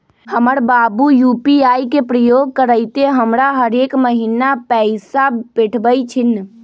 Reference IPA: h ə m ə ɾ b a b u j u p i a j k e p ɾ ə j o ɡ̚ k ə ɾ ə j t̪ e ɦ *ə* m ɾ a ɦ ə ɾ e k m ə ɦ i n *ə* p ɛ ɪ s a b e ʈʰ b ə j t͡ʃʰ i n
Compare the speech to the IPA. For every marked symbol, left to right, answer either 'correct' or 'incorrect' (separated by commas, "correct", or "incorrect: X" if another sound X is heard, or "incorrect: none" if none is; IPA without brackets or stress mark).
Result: correct, incorrect: a